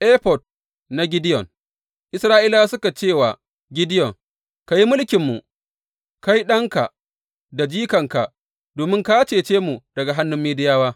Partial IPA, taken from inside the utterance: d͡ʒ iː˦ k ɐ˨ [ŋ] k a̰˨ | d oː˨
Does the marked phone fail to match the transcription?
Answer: no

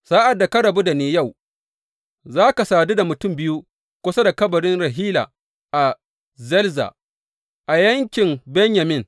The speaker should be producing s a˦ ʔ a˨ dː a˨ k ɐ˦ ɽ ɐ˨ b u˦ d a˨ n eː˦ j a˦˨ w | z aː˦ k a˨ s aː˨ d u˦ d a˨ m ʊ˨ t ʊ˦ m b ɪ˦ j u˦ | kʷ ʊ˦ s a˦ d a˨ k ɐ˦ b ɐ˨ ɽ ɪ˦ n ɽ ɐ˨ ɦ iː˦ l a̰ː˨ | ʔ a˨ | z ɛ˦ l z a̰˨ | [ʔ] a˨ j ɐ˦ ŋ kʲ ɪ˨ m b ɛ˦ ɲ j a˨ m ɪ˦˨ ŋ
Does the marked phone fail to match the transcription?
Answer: no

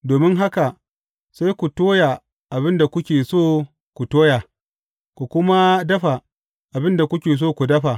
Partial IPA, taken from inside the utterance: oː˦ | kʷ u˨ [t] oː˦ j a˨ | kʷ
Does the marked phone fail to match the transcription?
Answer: no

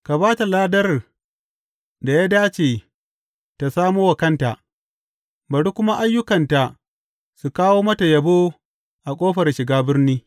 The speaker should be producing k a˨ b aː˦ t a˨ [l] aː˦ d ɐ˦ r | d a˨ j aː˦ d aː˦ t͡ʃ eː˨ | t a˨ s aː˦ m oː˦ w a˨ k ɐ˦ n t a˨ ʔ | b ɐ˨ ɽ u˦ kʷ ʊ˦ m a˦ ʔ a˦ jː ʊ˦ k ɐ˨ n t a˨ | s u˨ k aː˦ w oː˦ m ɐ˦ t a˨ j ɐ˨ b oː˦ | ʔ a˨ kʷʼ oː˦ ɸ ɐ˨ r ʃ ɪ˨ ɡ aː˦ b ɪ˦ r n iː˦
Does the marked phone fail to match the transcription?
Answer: no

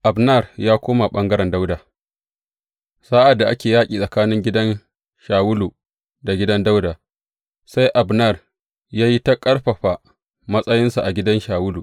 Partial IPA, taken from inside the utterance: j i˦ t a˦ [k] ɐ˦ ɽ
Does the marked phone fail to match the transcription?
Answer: yes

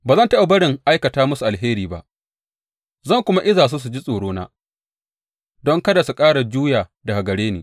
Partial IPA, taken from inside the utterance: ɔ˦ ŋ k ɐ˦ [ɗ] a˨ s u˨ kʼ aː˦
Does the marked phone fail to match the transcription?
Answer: yes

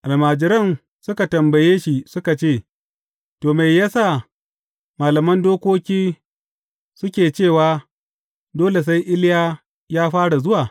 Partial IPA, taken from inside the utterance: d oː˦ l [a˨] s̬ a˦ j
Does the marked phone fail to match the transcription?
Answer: yes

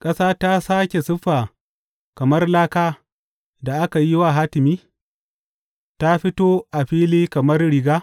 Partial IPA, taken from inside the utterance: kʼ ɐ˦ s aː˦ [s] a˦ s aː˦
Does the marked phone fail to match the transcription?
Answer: yes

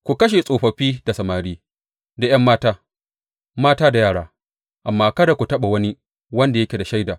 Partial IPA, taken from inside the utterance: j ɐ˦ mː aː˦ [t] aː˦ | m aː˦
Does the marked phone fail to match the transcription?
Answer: no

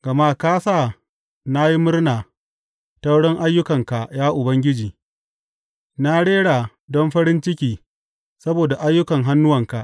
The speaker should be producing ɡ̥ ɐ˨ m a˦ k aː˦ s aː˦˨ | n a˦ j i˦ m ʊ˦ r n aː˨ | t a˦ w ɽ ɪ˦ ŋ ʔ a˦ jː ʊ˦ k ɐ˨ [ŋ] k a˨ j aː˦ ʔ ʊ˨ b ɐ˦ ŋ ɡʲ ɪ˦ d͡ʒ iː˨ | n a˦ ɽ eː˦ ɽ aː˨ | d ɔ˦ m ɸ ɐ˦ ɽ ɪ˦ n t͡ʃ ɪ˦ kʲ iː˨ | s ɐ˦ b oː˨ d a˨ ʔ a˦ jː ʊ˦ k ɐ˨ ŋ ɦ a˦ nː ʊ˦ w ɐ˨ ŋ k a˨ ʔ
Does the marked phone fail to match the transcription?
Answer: no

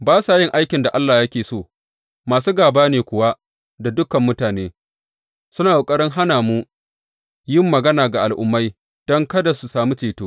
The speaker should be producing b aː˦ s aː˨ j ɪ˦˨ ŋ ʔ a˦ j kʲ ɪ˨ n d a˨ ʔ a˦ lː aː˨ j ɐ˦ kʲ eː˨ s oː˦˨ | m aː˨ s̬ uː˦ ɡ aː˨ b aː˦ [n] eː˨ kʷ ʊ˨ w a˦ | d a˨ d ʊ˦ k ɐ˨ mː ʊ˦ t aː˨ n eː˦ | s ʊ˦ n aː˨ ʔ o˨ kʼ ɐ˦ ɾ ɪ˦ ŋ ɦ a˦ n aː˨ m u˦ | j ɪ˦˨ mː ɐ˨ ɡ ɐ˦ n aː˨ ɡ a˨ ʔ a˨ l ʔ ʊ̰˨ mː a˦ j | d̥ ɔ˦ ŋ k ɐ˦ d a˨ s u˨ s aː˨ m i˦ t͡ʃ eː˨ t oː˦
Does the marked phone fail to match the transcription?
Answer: no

